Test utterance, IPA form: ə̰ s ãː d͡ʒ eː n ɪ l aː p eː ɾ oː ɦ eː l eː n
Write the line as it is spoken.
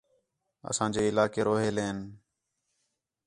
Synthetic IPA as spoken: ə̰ s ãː d͡ʒ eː ɪ l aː k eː ɾ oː ɦ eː l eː n